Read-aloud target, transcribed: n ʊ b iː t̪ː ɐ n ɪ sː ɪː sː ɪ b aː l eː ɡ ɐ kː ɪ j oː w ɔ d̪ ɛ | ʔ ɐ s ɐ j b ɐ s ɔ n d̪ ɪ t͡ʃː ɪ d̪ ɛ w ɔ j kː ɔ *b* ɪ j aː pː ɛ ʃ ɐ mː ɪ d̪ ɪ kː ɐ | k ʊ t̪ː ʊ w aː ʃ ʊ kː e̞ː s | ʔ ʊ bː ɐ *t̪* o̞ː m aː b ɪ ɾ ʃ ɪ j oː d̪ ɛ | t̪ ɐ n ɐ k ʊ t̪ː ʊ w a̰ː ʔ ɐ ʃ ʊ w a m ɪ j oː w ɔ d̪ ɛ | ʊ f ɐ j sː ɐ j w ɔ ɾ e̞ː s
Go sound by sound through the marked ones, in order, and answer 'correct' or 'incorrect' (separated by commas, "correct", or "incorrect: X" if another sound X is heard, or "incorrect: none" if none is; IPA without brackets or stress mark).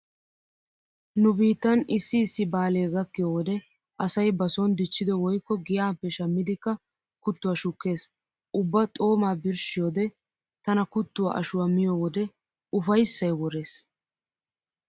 incorrect: ɡ, incorrect: t̪ʼ